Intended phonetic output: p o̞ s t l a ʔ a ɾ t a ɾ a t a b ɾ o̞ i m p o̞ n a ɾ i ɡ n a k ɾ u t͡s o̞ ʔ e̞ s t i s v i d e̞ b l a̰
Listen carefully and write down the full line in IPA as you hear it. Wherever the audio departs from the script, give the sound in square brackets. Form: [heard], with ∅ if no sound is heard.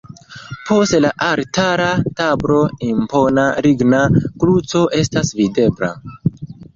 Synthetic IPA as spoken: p o̞ s t l a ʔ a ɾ t a ɾ a t a b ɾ o̞ i m p o̞ n a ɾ i ɡ n a k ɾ u t͡s o̞ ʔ e̞ s t [a] s v i d e̞ b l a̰